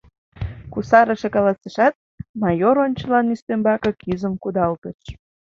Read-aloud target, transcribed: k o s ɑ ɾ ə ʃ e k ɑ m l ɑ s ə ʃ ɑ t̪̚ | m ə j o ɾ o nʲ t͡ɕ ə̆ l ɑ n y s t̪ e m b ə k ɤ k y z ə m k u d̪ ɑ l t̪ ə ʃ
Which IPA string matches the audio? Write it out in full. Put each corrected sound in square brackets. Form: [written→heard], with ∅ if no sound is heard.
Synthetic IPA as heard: k [o→u] s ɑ ɾ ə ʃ e k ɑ [m→∅] l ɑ s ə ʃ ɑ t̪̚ | m [ə→ɑ] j o ɾ o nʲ t͡ɕ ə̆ l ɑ n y s t̪ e m b [ə→ɑ] k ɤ k y z ə m k u d̪ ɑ l t̪ ə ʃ

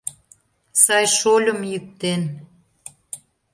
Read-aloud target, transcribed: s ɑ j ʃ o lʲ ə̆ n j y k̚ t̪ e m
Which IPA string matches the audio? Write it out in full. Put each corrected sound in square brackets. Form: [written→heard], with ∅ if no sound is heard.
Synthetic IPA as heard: s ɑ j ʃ o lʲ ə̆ [n→m] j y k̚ t̪ e [m→n]

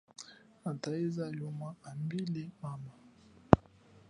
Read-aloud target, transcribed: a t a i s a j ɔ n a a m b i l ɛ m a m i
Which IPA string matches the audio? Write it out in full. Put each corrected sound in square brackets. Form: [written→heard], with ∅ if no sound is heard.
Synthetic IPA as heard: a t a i [s→z] a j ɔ [n→m] a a m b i l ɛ m a m [i→a]

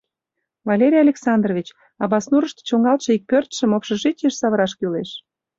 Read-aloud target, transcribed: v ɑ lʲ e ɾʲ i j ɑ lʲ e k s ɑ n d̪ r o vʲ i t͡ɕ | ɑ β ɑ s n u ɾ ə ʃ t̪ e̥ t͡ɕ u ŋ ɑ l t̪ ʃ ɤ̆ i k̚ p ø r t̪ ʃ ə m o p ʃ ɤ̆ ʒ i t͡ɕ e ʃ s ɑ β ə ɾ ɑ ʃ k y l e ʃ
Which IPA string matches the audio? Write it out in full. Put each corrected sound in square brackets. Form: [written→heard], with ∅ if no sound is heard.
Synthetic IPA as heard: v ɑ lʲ e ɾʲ i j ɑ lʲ e k s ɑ n d̪ r o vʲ i t͡ɕ | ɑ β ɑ s n u ɾ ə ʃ t̪ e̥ t͡ɕ [u→o] ŋ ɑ l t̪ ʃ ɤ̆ i k̚ p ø r t̪ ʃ ə m o p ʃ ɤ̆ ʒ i t͡ɕ e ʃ s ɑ β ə ɾ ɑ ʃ k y l e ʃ

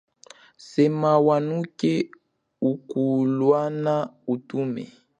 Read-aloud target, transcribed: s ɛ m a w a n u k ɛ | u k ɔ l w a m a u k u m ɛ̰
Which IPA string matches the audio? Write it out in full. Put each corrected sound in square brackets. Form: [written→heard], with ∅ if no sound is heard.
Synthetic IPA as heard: s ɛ m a w a n u k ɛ | u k [ɔ→u] l w a [m→n] a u [k→t] u m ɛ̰

